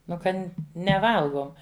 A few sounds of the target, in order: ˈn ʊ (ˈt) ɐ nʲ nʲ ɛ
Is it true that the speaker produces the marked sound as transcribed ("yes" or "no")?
no